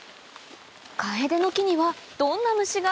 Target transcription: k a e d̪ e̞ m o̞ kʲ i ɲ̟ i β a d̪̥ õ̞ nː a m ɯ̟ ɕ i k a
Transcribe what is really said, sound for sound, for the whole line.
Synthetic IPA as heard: k a e d̪ e̞ n o̞ kʲ i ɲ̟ i β a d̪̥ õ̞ nː a m ɯ̟ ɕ i ɡ a